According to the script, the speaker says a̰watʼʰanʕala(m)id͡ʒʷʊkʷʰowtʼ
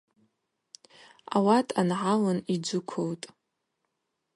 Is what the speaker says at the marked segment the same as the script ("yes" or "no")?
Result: no